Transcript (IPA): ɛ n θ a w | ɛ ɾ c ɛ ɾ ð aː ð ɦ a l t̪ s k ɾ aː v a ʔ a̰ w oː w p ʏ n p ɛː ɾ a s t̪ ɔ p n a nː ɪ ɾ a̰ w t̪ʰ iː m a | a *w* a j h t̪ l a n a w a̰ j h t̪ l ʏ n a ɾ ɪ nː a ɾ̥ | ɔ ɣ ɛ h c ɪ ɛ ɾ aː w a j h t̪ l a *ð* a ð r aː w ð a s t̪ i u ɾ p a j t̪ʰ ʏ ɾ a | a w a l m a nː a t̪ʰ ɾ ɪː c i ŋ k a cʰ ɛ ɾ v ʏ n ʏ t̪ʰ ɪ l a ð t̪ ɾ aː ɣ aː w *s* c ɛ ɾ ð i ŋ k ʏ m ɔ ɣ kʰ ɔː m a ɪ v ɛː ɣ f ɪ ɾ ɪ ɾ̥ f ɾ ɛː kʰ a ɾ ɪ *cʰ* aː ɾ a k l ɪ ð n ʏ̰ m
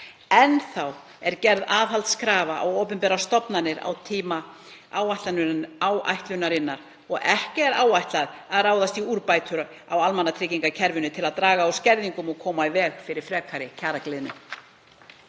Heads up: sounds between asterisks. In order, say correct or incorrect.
correct, correct, correct, correct

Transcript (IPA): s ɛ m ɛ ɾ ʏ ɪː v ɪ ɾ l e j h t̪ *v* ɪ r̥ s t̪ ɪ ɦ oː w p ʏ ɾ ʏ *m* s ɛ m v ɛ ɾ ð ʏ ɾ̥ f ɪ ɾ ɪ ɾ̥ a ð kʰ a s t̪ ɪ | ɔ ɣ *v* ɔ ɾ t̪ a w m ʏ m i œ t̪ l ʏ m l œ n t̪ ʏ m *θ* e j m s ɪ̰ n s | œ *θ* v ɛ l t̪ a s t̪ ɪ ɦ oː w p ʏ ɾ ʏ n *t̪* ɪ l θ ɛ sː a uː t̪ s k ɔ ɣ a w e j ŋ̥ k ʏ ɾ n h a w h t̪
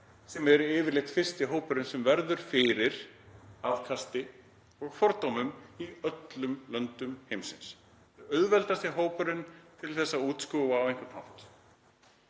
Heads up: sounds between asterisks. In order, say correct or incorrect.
incorrect: f, incorrect: n, incorrect: f, incorrect: h, incorrect: ð, incorrect: t̪ʰ

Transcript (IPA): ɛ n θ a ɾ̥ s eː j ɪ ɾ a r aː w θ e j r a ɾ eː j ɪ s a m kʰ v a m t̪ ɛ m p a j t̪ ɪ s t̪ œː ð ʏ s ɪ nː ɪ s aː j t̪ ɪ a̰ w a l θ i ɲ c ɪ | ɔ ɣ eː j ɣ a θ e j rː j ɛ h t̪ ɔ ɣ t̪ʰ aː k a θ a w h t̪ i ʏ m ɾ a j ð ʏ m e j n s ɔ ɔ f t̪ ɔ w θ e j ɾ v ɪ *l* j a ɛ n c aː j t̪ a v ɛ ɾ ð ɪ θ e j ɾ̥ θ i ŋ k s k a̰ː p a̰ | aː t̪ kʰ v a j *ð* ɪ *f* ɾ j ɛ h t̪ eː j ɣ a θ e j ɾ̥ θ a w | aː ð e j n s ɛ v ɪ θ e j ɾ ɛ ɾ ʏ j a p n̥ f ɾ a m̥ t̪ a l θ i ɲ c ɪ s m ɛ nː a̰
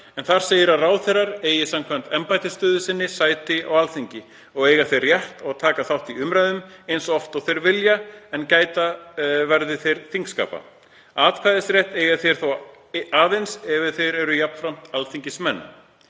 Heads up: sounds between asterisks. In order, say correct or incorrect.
correct, correct, incorrect: s

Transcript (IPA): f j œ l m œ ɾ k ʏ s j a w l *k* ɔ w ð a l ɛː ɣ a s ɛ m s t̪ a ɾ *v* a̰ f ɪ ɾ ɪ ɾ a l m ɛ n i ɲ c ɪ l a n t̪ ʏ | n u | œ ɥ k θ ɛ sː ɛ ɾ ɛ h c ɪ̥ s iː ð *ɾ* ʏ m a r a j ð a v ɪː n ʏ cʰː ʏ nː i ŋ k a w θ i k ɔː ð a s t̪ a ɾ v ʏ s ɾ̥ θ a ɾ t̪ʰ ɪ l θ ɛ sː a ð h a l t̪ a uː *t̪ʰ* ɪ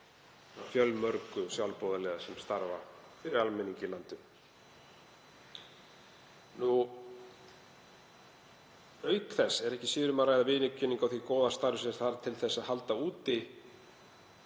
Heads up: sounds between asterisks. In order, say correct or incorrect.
incorrect: p, correct, correct, incorrect: t̪

